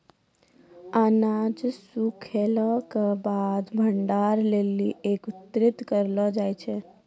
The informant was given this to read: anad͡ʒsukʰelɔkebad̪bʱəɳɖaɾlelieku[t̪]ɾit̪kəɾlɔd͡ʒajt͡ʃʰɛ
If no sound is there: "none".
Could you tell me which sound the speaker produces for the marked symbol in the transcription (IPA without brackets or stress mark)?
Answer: t̪